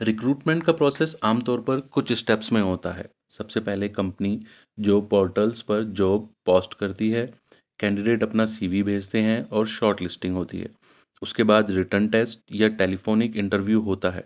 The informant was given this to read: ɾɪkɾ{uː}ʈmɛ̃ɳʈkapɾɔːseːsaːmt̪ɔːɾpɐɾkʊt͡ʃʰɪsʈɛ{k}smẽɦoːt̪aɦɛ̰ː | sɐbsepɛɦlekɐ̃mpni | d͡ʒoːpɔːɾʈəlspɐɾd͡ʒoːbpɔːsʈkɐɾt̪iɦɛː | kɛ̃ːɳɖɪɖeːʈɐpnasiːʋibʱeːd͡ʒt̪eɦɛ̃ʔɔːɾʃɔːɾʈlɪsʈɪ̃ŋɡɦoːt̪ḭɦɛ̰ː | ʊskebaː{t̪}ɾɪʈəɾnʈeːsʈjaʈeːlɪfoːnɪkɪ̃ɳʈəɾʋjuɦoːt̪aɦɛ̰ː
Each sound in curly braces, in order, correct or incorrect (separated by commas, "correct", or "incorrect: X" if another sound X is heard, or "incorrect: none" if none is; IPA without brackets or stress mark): correct, incorrect: p, incorrect: d̪